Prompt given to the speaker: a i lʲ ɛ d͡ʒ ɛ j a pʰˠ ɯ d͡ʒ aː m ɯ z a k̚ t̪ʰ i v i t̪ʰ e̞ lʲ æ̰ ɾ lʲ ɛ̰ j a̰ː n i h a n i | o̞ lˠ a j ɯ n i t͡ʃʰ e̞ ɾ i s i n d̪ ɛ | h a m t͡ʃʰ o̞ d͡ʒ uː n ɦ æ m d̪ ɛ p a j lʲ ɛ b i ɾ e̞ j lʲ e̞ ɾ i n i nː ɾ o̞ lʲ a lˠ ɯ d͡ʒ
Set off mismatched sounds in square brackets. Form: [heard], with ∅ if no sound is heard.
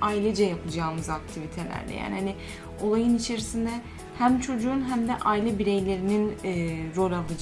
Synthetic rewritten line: a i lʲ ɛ d͡ʒ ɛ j a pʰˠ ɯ d͡ʒ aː m ɯ z a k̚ t̪ʰ i v i t̪ʰ e̞ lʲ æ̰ ɾ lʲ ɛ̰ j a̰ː n i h a n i | o̞ lˠ a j ɯ n i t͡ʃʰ e̞ ɾ i s i n d̪ ɛ | h [æ] m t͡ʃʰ o̞ d͡ʒ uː n ɦ æ m d̪ ɛ [ʔ] a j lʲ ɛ b i ɾ e̞ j lʲ e̞ ɾ i n i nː ɾ o̞ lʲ a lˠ ɯ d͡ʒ

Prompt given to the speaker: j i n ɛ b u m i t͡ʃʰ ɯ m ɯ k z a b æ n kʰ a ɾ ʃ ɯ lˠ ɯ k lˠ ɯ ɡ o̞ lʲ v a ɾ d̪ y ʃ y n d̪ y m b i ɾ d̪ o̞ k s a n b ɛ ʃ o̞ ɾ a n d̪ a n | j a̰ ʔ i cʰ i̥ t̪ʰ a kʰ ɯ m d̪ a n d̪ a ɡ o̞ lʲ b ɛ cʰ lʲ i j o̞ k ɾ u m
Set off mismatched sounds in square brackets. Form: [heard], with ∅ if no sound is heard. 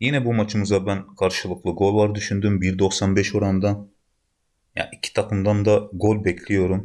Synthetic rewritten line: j i n ɛ b u m [a] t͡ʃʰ ɯ m ɯ [∅] z a b æ n kʰ a ɾ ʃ ɯ lˠ ɯ k lˠ ɯ ɡ o̞ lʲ v a ɾ d̪ y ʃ y n d̪ y m b i ɾ d̪ o̞ k s a n b ɛ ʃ o̞ ɾ a n d̪ a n | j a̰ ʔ i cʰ i̥ t̪ʰ a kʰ ɯ m d̪ a n d̪ a ɡ o̞ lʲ b ɛ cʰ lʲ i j o̞ [∅] ɾ u m

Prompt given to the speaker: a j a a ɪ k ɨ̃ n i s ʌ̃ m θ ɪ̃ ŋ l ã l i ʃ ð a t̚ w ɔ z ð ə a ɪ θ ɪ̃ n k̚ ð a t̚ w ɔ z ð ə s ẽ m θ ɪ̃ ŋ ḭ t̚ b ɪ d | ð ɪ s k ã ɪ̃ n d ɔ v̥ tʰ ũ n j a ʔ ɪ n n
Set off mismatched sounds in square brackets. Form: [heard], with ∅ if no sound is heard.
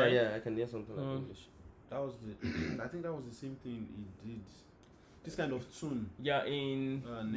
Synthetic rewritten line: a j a a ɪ k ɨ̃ n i s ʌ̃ m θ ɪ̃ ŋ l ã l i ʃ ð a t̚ w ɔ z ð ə a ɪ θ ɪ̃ [ŋ] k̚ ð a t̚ w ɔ z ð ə s ẽ m θ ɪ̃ ŋ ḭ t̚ [d] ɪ d | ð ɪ s k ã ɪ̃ n d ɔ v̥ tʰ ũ n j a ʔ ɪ n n

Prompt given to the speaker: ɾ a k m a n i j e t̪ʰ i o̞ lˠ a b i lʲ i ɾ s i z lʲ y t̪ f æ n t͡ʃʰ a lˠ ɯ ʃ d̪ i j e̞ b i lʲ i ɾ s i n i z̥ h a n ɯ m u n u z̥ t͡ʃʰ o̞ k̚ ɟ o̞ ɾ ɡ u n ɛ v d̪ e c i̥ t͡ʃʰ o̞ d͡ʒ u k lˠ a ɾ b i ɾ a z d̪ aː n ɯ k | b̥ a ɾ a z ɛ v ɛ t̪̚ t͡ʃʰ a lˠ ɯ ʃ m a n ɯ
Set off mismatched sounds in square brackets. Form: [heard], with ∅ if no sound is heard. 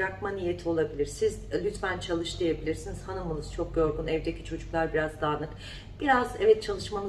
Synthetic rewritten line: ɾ a k m a n i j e t̪ʰ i o̞ lˠ a b i lʲ i ɾ s i z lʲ y t̪ f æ n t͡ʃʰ a lˠ ɯ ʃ d̪ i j e̞ b i lʲ i ɾ s i n i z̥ h a n ɯ m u n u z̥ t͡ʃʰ o̞ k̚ ɟ o̞ ɾ ɡ u n ɛ v d̪ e c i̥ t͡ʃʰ o̞ d͡ʒ u k lˠ a ɾ b i ɾ a z d̪ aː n ɯ k | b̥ [i] ɾ a z ɛ v ɛ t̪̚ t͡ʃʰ a lˠ ɯ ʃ m a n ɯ

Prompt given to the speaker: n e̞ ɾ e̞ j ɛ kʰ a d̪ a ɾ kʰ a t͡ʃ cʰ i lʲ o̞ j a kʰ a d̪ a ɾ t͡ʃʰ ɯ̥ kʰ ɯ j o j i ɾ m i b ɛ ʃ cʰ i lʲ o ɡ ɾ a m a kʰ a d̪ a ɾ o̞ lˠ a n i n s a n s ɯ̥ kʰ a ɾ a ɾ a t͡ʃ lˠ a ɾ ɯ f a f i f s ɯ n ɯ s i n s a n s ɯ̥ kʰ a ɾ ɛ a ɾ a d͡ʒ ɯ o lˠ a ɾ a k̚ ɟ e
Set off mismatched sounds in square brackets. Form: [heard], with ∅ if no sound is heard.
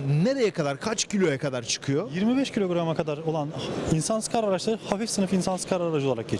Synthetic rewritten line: n e̞ ɾ e̞ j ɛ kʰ a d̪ a ɾ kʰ a t͡ʃ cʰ i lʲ o̞ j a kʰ a d̪ a ɾ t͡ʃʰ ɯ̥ kʰ ɯ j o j i ɾ m i b ɛ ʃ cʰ i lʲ o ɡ ɾ a m a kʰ a d̪ a ɾ o̞ lˠ a n i n s a n s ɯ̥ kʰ a ɾ a ɾ a t͡ʃ lˠ a ɾ ɯ [h] a f i f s ɯ n ɯ [f] i n s a n s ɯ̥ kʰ a ɾ [a] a ɾ a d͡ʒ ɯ o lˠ a ɾ a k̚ ɟ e

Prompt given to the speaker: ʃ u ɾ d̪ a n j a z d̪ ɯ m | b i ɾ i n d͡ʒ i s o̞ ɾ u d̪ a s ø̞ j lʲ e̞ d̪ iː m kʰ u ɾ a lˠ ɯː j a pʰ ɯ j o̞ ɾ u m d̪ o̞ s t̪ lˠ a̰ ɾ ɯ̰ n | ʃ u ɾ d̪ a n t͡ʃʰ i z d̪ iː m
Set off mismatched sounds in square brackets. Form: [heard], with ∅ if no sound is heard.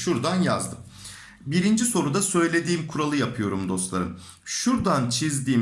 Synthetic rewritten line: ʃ u ɾ d̪ a n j a z d̪ ɯ m | b i ɾ i n d͡ʒ i s o̞ ɾ u d̪ a s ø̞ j lʲ e̞ d̪ iː m kʰ u ɾ a lˠ [ɯ] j a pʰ ɯ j o̞ ɾ u m d̪ o̞ s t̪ lˠ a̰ ɾ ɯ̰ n | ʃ u ɾ d̪ a n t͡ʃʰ i z d̪ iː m

